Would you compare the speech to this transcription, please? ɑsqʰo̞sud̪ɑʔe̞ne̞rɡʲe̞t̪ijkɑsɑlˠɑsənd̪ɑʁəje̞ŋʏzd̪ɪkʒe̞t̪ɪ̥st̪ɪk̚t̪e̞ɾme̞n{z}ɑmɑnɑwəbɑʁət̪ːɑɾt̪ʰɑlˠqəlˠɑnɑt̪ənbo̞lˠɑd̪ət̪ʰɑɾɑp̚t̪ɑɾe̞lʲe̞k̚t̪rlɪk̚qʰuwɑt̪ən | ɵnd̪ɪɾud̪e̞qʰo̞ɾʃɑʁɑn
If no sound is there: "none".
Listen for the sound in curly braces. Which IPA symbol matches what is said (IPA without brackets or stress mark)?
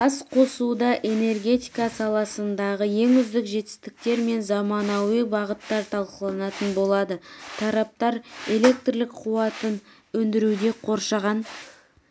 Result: z